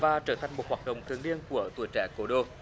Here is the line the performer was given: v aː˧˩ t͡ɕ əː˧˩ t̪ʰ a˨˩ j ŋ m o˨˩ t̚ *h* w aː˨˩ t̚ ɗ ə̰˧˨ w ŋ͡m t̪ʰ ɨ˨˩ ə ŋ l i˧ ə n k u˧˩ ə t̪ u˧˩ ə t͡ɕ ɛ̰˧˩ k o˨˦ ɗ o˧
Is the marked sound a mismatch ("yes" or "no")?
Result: no